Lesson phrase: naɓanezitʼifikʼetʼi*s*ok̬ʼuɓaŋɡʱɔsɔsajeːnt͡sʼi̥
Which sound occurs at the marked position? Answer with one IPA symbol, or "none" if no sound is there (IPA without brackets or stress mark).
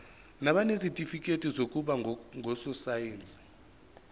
z